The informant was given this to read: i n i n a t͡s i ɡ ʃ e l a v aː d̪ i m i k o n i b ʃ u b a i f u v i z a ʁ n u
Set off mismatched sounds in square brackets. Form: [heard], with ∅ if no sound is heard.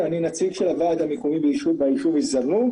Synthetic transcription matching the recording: [a] n i n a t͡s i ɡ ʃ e l a v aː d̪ [a] m [e] k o [m] i b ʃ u b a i [ʃ] u v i z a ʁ n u